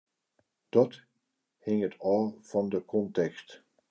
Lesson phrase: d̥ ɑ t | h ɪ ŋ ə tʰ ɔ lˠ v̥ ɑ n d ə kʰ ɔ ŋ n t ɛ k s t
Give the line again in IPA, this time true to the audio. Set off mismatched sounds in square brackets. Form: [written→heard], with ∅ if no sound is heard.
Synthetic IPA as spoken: d̥ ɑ t | h ɪ ŋ ə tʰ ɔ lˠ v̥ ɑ n d ə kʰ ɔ [ŋ→∅] n t ɛ k s t